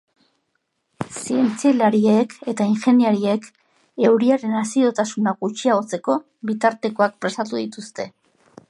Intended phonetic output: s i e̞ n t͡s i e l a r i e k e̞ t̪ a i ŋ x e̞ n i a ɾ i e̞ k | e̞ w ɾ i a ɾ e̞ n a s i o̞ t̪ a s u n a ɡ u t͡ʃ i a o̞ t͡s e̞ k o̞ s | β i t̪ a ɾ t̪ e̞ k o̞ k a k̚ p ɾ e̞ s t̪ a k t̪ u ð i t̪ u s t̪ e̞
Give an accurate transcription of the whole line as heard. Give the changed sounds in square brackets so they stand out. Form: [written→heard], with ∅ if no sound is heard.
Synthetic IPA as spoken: s i e̞ n t͡s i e l a [r→ɾ] i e k e̞ t̪ a i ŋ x e̞ n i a ɾ i e̞ k | e̞ w ɾ i a ɾ e̞ n a s i o̞ t̪ a s u n a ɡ u t͡ʃ i a o̞ t͡s e̞ k o̞ [s→∅] | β i t̪ a ɾ t̪ e̞ k o̞ [k→∅] a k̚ p ɾ e̞ s t̪ a [k→∅] t̪ u ð i t̪ u s t̪ e̞